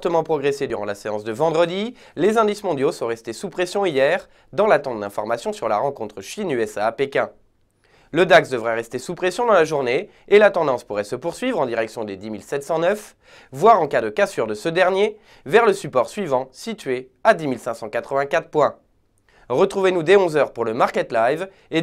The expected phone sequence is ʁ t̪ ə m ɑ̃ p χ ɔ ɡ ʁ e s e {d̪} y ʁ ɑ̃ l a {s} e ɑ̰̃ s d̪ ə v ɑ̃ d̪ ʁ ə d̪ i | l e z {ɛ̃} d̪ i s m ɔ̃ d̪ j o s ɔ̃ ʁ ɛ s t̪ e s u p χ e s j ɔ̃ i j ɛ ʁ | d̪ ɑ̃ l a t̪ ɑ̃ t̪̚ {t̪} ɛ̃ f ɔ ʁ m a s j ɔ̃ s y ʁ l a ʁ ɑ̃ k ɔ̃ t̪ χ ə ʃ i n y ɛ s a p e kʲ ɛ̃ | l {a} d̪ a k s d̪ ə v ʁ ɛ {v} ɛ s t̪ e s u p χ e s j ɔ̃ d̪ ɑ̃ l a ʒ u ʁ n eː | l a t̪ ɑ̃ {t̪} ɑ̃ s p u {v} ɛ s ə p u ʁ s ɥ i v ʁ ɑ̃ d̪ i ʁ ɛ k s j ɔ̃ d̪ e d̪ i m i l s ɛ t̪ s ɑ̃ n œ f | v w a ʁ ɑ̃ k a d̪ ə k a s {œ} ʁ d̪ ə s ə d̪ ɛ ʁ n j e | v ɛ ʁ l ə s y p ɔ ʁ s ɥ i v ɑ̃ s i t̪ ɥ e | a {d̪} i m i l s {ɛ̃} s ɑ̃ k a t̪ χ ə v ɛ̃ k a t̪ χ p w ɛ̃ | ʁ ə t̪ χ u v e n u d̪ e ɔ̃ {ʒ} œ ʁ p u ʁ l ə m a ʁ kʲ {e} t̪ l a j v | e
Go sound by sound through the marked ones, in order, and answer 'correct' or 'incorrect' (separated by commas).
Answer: correct, correct, correct, incorrect, incorrect, incorrect, incorrect, incorrect, incorrect, correct, correct, incorrect, incorrect